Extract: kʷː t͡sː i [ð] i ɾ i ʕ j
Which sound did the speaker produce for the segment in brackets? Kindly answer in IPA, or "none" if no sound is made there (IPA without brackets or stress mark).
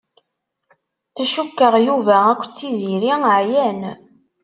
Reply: z